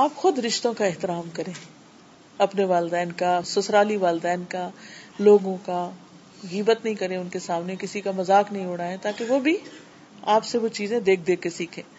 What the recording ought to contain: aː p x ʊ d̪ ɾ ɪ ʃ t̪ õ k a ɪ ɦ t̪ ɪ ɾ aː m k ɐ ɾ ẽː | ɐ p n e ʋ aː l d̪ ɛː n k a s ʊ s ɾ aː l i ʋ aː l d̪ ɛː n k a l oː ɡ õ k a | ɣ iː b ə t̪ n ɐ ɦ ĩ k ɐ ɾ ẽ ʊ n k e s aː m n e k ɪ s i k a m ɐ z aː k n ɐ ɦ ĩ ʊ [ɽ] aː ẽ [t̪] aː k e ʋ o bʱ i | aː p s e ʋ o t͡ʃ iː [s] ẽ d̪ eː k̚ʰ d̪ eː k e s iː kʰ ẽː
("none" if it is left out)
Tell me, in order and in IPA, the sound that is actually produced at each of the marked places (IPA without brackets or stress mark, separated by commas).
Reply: ɽ, t̪, z